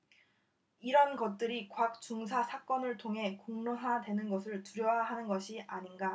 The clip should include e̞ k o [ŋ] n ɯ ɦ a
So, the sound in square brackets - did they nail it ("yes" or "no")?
yes